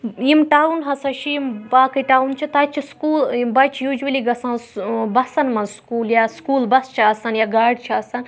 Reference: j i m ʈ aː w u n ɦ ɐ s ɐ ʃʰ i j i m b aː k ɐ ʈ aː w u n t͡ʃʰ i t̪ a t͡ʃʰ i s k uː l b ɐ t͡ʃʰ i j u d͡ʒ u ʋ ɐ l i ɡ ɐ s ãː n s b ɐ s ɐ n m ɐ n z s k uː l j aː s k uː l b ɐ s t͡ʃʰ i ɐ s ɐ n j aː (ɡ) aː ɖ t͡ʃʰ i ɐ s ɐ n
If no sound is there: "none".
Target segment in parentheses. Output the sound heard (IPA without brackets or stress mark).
ɡ